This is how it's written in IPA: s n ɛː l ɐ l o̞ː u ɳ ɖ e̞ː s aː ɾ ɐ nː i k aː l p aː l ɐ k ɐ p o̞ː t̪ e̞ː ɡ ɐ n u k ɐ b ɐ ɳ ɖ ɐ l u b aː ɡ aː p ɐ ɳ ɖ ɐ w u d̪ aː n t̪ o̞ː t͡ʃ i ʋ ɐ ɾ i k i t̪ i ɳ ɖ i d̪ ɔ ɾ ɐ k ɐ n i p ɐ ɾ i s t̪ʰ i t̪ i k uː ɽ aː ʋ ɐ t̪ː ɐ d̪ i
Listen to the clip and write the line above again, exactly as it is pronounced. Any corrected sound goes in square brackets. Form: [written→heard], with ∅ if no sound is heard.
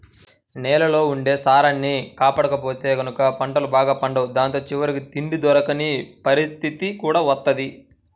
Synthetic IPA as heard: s n ɛː l ɐ l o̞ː u ɳ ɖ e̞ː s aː ɾ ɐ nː i k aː [l→∅] p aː [l→ɽ] ɐ k ɐ p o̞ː t̪ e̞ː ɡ ɐ n u k ɐ [b→p] ɐ ɳ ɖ ɐ l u b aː ɡ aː p ɐ ɳ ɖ ɐ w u d̪ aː n t̪ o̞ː t͡ʃ i ʋ ɐ ɾ i k i t̪ i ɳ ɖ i d̪ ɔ ɾ ɐ k ɐ n i p ɐ ɾ i s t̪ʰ i t̪ i k uː ɽ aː ʋ ɐ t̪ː ɐ d̪ i